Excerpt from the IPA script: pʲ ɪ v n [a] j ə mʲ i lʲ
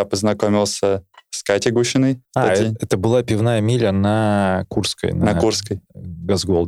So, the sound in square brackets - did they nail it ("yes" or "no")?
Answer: yes